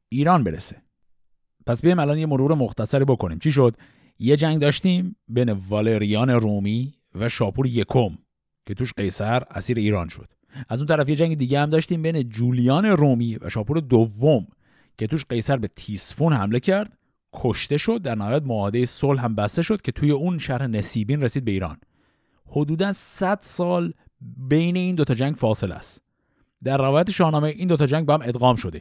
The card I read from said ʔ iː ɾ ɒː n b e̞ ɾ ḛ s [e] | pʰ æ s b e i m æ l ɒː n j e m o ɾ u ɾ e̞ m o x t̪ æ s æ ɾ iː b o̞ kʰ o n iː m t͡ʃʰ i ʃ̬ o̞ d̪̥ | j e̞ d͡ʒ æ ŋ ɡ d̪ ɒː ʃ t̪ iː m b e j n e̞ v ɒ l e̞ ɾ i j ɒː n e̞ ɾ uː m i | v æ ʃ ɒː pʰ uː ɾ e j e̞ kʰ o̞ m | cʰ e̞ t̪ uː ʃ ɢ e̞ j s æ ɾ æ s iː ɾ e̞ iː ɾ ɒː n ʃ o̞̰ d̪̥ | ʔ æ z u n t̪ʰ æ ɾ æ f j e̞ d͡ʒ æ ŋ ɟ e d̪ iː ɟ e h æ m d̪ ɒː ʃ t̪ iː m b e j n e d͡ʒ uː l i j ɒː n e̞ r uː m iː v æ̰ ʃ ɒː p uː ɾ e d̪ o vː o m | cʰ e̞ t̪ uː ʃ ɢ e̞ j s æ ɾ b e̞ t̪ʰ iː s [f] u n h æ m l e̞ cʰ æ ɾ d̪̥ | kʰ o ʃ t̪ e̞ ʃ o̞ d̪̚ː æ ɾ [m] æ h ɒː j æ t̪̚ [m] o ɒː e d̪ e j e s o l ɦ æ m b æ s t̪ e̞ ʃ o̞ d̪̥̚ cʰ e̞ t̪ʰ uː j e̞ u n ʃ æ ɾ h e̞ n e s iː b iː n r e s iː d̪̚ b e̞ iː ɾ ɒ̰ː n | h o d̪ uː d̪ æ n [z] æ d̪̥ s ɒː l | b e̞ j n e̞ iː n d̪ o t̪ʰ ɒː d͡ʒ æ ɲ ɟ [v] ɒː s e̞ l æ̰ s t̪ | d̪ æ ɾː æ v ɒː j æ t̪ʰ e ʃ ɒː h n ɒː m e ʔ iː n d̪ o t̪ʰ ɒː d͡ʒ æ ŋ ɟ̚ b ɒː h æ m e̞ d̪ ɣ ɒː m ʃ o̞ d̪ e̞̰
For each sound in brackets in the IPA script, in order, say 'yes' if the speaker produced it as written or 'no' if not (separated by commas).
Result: yes, yes, no, yes, no, no